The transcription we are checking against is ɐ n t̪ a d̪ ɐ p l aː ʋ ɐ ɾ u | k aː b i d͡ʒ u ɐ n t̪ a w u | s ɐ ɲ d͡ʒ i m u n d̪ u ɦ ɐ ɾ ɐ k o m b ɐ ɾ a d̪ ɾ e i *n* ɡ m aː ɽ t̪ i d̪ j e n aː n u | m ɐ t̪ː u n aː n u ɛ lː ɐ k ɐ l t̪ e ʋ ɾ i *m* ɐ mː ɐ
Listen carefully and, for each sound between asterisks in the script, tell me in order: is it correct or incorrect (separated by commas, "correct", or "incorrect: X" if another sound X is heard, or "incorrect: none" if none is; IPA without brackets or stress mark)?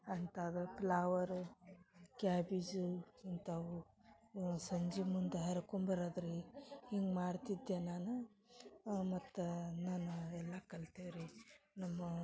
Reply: incorrect: ŋ, incorrect: n